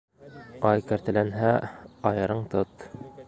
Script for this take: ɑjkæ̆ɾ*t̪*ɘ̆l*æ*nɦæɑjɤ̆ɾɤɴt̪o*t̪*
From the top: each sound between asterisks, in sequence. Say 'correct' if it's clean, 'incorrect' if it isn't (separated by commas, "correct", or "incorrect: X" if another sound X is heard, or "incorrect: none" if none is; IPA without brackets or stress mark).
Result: correct, correct, correct